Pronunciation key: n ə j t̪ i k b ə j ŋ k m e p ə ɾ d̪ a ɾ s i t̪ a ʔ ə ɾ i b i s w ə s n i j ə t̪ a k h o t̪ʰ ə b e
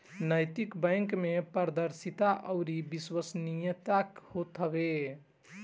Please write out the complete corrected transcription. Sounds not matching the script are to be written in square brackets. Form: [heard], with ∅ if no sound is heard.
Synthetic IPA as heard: n ə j t̪ i k b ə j ŋ k m e p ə ɾ d̪ [ə] ɾ s i t̪ a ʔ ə ɾ i b i s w ə s n i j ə t̪ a k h o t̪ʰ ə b e